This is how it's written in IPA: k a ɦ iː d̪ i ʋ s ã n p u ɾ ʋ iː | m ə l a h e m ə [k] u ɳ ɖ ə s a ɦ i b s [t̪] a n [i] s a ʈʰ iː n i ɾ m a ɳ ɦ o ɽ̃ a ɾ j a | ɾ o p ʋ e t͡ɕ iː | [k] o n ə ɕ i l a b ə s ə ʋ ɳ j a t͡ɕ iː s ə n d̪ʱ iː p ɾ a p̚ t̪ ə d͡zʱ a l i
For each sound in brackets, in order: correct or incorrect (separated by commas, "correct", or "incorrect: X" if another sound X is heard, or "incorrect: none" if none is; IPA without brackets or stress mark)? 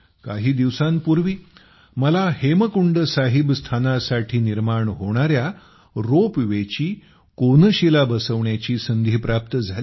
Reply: correct, incorrect: t̪ʰ, incorrect: a, correct